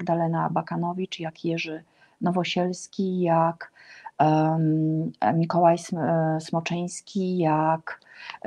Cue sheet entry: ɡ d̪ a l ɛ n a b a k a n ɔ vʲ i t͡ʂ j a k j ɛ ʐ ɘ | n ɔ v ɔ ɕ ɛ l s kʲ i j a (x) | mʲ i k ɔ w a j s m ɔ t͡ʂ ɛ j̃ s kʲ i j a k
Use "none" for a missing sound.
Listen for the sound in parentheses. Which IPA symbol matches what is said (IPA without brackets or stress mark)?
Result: k